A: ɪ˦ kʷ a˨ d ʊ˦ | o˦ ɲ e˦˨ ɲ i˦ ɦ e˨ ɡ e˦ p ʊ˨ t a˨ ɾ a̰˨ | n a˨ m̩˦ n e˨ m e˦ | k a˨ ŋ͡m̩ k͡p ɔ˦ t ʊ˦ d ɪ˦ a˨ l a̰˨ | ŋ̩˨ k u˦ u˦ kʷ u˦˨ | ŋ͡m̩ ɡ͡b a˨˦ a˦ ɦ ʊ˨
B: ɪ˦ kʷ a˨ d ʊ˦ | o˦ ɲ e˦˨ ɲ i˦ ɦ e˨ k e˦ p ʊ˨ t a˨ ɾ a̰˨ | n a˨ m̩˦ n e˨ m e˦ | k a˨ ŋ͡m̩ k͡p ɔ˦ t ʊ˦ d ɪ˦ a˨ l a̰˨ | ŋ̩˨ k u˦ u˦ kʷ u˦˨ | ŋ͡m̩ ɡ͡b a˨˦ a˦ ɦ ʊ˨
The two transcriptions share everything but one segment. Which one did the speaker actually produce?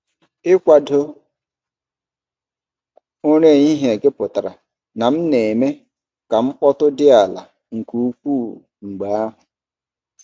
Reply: A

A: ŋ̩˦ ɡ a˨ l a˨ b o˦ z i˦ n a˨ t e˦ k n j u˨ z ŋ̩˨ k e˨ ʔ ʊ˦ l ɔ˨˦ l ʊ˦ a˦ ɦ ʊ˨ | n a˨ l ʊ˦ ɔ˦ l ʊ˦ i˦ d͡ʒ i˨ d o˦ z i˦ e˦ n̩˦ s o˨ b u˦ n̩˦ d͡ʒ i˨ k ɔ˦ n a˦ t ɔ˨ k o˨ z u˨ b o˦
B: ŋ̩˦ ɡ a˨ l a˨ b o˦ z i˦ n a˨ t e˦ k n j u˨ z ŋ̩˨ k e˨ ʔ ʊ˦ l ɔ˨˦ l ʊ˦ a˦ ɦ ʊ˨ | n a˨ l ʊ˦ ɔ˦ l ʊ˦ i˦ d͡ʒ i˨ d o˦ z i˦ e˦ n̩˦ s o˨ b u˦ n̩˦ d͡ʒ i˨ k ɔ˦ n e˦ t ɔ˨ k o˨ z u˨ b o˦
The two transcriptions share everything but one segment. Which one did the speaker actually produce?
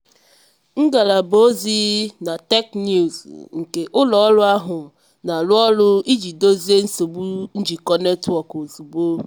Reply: B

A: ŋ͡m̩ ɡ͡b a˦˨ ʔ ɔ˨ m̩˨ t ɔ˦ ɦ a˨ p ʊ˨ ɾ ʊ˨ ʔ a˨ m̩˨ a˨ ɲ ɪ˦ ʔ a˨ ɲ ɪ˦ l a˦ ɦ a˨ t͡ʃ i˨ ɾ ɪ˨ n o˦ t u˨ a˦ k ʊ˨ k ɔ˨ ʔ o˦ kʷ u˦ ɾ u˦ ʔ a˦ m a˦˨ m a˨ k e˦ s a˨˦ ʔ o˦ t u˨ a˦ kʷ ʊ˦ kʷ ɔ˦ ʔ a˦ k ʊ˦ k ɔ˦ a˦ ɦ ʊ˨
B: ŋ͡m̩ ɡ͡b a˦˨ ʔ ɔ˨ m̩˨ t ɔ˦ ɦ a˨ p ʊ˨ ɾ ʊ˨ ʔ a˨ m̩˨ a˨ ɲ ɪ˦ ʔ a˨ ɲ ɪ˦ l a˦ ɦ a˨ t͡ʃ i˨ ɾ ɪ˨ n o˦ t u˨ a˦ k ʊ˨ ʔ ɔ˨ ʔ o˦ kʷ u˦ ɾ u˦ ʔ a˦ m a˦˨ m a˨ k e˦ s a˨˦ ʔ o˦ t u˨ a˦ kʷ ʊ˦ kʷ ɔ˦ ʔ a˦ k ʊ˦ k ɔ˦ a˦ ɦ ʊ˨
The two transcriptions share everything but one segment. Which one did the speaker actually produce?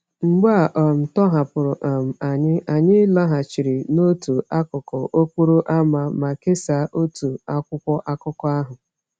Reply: A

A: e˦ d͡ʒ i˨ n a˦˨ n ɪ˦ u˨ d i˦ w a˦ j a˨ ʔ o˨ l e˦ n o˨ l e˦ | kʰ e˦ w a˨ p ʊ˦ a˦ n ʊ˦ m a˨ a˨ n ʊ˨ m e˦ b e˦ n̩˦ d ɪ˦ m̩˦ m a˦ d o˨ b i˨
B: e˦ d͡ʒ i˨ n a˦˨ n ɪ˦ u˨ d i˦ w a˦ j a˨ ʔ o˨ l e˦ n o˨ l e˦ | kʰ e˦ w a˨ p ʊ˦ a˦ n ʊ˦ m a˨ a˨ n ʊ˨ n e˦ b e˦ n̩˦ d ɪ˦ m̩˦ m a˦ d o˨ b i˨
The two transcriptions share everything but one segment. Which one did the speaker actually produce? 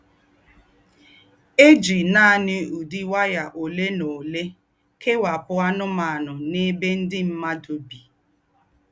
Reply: B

